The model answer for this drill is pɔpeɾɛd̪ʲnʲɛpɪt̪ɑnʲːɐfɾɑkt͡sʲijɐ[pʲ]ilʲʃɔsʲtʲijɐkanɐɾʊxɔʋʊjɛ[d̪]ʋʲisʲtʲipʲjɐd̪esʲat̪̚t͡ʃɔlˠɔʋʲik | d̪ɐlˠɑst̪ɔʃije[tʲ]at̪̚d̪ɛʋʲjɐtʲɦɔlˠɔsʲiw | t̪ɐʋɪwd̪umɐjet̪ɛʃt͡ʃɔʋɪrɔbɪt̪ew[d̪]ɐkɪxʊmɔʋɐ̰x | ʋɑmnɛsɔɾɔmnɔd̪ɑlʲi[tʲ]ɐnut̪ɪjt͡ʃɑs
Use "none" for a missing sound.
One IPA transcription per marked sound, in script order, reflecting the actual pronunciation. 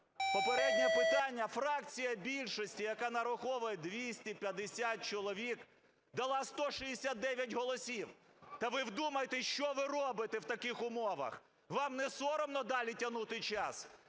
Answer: bʲ, d̪, sʲ, t̪, tʲ

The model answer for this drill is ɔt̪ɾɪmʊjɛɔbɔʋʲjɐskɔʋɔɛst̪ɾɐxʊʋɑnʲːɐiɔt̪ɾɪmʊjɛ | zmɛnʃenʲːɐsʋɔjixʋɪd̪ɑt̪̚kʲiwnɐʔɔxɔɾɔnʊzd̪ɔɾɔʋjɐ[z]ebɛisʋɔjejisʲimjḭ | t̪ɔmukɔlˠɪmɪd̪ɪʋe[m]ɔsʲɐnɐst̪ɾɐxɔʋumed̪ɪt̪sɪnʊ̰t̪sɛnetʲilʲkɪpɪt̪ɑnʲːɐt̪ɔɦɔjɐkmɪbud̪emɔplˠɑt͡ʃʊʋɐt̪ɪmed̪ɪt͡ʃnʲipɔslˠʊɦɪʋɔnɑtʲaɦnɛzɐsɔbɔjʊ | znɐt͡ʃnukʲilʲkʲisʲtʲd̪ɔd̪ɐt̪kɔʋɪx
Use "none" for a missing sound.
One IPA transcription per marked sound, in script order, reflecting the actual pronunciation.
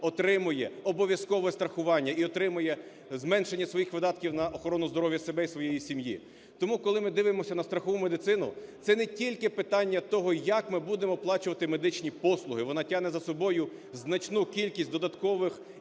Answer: s, m

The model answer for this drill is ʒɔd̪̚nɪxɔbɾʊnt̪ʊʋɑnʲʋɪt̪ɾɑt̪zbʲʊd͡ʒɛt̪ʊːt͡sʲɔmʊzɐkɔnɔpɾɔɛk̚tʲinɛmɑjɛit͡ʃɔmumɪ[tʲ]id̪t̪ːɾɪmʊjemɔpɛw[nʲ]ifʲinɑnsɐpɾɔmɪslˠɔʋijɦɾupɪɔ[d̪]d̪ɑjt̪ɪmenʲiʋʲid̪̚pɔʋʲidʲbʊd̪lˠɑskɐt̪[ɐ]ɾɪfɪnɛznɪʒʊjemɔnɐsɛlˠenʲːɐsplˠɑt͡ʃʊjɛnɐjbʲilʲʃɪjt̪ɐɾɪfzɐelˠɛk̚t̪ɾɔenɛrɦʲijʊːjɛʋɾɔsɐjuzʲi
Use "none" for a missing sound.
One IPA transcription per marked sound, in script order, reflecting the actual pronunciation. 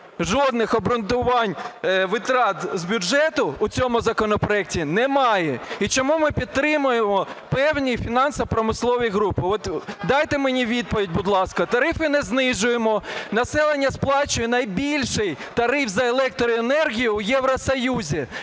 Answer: pʲ, nʲ, t̪, ɐ

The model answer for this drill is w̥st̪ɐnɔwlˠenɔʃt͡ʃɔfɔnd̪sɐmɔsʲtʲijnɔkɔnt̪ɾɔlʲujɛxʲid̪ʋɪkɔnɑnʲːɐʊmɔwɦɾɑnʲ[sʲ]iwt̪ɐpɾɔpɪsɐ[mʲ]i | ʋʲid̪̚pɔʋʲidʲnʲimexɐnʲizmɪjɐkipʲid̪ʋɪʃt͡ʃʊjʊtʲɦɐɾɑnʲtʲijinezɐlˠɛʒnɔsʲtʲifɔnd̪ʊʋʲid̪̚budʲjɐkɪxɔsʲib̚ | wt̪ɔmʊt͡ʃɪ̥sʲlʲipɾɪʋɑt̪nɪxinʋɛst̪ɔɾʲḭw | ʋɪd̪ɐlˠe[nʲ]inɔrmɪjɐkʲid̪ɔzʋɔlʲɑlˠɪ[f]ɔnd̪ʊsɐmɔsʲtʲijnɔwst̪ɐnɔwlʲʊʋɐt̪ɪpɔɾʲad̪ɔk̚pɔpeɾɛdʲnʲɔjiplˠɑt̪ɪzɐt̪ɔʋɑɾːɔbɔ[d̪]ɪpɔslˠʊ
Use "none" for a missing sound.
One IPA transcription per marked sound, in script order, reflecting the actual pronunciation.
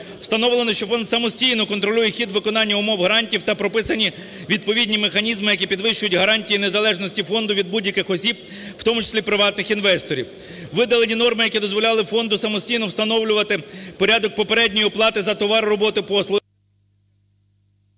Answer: tʲ, nʲ, nʲ, f, t̪

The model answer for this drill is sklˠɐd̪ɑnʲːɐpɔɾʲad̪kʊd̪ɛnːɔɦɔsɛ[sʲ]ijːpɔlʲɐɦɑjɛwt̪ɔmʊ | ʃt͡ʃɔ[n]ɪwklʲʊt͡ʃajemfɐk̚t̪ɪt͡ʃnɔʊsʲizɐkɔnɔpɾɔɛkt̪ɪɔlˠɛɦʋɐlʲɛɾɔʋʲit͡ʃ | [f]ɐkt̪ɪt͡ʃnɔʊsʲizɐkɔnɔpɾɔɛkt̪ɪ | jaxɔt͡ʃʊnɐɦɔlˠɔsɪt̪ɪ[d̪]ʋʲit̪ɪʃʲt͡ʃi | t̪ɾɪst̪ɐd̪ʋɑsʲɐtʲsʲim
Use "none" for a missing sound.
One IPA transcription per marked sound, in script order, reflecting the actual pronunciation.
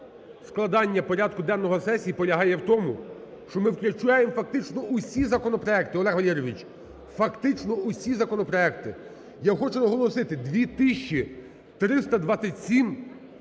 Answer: sʲ, m, f, d̪

